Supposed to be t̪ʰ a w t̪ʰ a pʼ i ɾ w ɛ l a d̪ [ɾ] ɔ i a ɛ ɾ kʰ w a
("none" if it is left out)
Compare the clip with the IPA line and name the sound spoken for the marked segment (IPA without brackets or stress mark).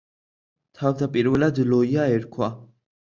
l